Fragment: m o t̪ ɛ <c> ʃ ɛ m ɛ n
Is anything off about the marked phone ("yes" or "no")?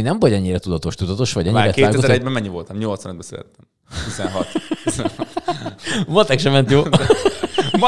yes